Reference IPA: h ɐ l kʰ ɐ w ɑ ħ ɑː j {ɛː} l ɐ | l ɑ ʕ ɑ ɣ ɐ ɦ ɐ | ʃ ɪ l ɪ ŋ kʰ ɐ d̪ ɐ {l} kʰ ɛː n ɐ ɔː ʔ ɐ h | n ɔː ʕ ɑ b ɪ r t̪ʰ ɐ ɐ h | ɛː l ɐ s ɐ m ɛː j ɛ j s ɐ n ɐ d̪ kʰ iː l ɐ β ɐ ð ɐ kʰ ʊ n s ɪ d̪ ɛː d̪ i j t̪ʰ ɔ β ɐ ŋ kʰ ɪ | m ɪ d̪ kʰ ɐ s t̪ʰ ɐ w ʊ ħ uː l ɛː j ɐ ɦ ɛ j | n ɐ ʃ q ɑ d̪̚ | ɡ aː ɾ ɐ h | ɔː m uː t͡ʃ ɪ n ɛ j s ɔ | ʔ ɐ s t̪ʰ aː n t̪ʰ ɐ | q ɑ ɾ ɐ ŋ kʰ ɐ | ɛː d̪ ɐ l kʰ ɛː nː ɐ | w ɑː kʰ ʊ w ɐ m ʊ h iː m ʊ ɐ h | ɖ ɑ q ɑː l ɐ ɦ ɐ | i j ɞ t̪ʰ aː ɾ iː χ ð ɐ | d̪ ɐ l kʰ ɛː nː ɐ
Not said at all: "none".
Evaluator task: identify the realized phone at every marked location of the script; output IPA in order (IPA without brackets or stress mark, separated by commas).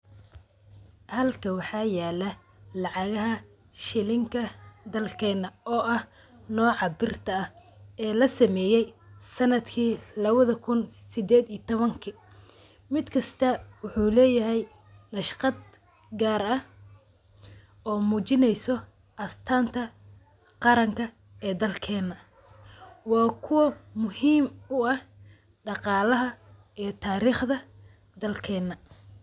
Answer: aː, l